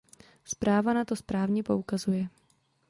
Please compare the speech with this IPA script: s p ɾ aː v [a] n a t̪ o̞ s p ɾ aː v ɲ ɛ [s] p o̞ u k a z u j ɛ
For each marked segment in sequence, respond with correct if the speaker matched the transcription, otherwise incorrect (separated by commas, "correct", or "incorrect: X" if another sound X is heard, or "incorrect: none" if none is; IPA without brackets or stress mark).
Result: correct, incorrect: none